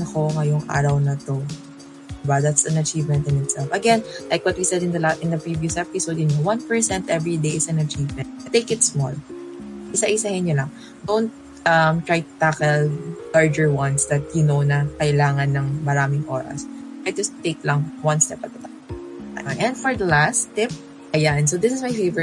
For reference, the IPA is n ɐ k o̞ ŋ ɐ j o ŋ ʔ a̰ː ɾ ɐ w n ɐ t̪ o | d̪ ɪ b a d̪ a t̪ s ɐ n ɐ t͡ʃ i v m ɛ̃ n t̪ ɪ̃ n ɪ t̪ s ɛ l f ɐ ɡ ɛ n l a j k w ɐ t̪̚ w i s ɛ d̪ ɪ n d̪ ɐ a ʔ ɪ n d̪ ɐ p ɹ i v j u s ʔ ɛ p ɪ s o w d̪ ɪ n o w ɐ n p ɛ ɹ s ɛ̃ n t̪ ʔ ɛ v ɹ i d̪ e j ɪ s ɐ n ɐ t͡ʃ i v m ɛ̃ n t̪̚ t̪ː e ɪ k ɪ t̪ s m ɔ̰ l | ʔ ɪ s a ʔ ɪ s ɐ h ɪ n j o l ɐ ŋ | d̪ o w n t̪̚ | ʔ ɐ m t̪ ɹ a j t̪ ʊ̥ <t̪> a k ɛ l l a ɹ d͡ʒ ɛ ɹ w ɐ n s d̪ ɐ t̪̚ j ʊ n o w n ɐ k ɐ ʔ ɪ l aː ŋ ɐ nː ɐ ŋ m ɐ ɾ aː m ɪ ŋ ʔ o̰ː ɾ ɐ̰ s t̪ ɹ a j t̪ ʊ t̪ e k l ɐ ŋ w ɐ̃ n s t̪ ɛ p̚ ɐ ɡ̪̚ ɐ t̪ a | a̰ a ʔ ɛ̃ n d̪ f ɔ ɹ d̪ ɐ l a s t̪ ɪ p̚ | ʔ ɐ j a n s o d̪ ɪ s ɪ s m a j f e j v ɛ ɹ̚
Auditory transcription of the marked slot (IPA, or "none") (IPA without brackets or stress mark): t̪